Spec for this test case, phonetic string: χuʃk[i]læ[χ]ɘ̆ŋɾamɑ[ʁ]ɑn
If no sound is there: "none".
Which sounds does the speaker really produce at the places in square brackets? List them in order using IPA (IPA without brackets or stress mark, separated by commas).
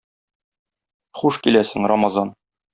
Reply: i, s, z